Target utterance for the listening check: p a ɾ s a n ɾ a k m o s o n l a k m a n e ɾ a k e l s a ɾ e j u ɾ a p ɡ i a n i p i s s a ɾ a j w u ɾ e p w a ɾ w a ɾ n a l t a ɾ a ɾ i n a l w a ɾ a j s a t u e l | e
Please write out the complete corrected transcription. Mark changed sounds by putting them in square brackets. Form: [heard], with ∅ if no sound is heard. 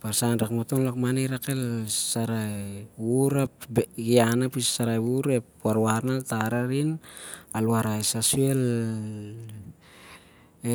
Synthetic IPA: p a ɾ s a n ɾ a k m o [t] o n l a k m a n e ɾ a k e l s a ɾ [a] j u ɾ a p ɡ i a n [a] p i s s a ɾ a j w u ɾ e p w a ɾ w a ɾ n a l t a ɾ a ɾ i n a l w a ɾ a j s a [s] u e l | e